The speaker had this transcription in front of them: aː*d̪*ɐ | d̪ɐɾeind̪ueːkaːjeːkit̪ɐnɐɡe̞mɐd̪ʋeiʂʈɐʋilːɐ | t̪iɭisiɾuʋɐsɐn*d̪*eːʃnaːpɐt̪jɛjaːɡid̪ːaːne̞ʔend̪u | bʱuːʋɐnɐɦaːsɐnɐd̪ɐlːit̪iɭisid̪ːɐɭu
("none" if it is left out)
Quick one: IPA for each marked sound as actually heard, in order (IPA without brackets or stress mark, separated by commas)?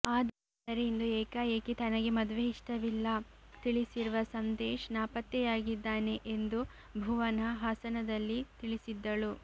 d̪, d̪